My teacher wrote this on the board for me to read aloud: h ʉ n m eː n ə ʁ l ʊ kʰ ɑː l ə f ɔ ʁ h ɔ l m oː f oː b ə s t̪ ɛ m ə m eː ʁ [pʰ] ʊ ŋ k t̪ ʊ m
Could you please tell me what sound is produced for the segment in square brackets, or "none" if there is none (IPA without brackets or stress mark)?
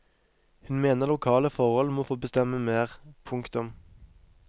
pʰ